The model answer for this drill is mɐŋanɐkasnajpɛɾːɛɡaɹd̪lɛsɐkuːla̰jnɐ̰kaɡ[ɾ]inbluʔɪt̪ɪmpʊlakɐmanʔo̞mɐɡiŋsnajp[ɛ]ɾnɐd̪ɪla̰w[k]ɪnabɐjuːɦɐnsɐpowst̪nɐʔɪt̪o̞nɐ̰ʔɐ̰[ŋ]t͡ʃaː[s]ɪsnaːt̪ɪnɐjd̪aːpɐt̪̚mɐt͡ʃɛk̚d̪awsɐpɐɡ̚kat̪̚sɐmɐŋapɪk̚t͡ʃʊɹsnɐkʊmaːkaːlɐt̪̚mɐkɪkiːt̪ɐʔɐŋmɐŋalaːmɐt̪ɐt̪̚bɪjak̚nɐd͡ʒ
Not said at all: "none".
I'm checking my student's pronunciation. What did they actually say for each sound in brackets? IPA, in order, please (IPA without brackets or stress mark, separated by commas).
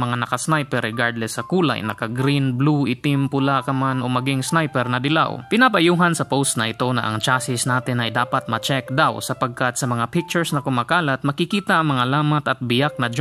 ɾ, ɛ, p, ŋ, s